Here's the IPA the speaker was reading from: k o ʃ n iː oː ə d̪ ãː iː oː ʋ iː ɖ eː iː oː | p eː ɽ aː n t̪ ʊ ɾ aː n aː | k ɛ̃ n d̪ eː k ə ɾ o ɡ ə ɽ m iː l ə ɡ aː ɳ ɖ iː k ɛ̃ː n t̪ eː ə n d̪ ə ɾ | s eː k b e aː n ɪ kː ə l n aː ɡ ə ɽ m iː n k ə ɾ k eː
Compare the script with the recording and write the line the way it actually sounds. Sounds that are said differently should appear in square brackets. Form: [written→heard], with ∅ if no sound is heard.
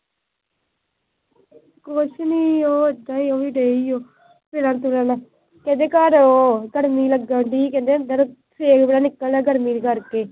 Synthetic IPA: k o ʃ n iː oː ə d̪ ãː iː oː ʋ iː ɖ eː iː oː | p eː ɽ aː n t̪ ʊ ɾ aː n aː | k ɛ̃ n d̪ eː k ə ɾ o ɡ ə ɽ m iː l ə ɡ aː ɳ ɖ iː k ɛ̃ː n [t̪→d̪] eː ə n d̪ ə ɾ | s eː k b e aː n ɪ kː ə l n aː ɡ ə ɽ m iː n k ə ɾ k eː